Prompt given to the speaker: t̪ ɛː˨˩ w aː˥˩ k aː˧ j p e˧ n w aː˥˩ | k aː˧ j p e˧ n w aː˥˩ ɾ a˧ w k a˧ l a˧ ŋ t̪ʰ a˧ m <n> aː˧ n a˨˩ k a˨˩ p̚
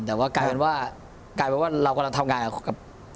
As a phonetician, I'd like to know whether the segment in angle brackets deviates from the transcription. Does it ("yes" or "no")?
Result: yes